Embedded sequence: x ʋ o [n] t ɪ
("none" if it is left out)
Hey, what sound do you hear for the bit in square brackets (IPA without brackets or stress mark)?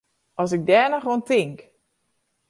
n